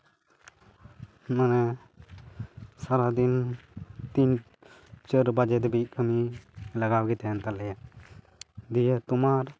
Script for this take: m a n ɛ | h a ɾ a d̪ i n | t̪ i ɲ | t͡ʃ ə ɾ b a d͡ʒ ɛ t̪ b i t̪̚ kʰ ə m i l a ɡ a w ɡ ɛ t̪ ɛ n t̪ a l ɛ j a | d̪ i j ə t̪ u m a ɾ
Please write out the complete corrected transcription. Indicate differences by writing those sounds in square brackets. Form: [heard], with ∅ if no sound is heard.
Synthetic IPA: m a n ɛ | [s] a ɾ a d̪ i n | t̪ i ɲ | t͡ʃ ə ɾ b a d͡ʒ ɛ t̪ b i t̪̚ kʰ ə m i l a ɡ a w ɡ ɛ t̪ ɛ n t̪ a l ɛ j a | d̪ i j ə t̪ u m a ɾ